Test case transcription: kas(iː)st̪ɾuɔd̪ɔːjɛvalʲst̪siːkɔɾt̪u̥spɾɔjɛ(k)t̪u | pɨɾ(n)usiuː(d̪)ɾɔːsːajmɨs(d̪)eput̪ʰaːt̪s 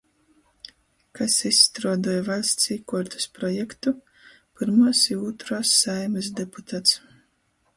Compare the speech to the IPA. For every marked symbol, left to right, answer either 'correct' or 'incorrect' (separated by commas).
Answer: incorrect, correct, incorrect, incorrect, correct